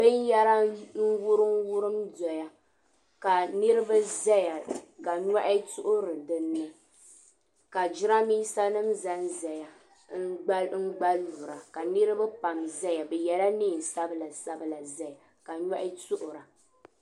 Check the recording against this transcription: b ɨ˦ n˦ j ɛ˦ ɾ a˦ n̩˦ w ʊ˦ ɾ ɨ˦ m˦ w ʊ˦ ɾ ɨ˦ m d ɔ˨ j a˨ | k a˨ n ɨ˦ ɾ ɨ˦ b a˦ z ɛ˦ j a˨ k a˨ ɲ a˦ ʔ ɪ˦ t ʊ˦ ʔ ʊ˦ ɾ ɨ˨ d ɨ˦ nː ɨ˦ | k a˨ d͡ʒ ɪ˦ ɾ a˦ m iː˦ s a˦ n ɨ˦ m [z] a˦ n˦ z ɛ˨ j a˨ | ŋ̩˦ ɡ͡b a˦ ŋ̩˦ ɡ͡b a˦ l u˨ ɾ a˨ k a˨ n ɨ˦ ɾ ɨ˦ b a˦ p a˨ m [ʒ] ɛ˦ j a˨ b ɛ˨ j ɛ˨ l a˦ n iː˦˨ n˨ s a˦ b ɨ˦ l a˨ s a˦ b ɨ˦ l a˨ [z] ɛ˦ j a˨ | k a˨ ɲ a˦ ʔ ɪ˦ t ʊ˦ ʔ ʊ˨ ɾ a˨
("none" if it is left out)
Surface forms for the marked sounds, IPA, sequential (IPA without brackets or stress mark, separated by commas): z, z, z